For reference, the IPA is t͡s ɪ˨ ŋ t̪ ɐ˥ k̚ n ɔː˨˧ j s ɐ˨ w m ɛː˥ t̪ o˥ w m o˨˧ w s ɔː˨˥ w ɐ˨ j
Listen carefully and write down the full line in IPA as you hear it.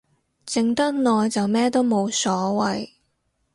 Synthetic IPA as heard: t͡s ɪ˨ ŋ t̪ ɐ˥ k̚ n ɔː˨˧ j t͡s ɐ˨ w m ɛː˥ t̪ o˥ w m o˨˧ w s ɔː˨˥ w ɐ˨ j